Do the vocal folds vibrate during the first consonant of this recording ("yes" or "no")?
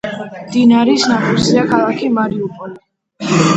yes